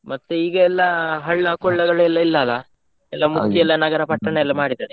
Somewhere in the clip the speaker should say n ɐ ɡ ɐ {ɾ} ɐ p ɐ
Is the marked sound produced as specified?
yes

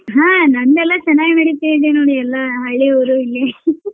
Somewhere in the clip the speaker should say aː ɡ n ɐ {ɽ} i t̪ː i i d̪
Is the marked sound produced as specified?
yes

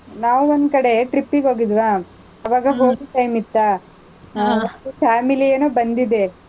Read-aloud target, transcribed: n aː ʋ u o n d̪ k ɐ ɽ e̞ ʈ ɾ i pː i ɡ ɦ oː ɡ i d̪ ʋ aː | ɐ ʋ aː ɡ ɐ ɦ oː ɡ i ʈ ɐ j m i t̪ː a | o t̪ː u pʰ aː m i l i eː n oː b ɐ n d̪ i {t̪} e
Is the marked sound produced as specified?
no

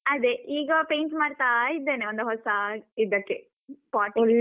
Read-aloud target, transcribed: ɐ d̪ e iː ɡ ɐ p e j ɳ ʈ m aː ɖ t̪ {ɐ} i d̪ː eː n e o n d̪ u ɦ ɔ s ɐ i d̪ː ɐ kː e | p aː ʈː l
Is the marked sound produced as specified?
no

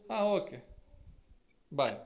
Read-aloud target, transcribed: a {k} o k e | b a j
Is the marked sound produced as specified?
no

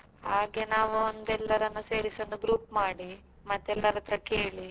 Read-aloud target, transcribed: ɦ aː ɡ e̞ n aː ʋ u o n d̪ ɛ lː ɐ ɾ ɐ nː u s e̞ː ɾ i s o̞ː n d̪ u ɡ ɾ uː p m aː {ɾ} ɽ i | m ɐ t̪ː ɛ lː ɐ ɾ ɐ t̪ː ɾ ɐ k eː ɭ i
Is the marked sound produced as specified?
no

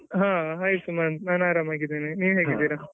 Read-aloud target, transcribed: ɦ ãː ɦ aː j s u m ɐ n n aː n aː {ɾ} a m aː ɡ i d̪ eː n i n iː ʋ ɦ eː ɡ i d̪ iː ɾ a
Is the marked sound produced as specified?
yes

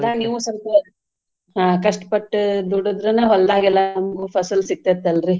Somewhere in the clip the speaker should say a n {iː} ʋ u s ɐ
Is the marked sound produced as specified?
yes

